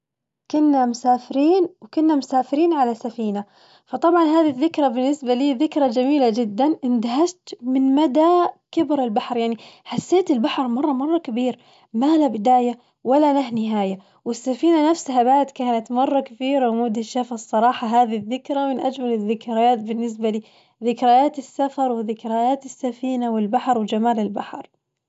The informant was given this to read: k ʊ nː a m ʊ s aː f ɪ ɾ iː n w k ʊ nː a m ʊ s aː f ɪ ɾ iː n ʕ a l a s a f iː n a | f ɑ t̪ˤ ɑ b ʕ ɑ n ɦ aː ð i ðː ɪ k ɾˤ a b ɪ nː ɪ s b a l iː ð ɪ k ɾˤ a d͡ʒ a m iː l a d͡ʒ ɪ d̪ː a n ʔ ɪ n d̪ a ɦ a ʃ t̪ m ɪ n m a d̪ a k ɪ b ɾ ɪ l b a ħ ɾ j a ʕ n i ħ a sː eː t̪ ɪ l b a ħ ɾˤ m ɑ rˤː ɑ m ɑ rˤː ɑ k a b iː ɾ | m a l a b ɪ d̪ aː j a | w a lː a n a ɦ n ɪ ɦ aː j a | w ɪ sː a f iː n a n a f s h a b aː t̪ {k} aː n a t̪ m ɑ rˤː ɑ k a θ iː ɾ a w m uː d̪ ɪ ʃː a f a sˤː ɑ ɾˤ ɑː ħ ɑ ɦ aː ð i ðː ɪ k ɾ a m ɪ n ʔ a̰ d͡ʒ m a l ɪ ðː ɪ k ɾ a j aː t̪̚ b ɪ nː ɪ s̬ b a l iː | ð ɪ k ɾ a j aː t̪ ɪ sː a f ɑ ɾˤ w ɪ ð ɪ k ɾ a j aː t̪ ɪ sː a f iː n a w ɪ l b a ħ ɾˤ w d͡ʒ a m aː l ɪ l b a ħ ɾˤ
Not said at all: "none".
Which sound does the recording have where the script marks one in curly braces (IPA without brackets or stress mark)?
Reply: k